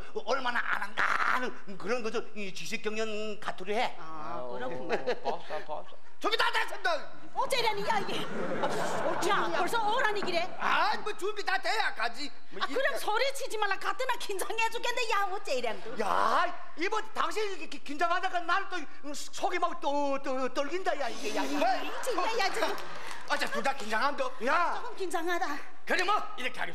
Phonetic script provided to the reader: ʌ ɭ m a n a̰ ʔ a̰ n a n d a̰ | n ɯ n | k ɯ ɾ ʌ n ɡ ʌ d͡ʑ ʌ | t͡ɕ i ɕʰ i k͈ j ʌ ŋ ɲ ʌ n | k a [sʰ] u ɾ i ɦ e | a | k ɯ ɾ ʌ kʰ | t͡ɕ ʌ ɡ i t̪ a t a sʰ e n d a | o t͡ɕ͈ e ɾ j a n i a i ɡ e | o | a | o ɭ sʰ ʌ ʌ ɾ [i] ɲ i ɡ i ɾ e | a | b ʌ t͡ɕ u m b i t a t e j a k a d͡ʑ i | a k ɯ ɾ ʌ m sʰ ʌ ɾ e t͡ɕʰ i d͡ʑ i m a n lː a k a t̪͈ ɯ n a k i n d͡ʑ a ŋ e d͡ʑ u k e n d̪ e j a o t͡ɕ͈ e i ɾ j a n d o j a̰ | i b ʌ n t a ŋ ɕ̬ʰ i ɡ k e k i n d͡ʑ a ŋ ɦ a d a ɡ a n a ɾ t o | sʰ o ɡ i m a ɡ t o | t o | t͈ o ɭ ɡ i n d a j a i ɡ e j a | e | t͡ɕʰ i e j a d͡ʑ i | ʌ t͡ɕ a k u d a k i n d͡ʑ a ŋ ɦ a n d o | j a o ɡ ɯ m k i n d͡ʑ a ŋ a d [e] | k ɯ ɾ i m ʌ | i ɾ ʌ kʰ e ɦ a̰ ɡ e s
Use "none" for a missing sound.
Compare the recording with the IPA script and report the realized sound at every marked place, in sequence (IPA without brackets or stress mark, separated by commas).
tʰ, a, a